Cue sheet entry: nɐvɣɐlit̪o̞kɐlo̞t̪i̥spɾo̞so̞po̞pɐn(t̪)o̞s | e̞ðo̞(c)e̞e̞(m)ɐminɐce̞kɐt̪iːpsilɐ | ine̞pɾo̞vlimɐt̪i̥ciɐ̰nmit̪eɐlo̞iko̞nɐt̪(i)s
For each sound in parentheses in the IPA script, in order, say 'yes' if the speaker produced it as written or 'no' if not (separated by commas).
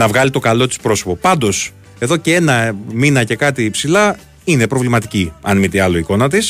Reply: no, yes, no, yes